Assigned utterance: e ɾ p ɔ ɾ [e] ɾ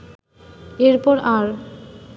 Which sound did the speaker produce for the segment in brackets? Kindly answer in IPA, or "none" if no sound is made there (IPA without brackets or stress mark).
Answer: a